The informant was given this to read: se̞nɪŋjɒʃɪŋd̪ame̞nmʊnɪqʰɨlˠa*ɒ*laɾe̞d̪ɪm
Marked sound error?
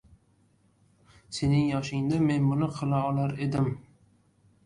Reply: no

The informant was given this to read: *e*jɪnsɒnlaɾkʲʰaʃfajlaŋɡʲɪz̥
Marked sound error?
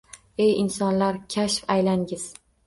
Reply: no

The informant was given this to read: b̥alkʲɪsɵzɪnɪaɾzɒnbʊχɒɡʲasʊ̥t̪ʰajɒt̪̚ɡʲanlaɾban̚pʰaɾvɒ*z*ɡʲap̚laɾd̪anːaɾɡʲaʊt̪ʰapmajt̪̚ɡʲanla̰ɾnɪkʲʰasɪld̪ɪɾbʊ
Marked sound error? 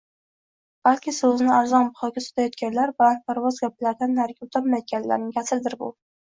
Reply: no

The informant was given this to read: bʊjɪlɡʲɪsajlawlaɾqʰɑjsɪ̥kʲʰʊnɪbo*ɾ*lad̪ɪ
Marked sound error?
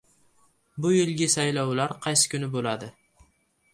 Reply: yes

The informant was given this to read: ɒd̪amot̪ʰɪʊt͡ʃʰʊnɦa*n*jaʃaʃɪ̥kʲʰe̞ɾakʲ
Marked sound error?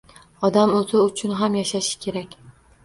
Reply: yes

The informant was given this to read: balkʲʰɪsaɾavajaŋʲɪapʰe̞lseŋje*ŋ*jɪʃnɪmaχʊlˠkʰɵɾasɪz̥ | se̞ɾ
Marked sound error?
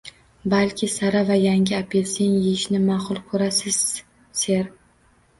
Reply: yes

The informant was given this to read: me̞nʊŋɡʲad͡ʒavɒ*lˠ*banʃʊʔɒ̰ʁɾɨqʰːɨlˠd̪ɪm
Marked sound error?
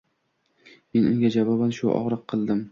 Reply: yes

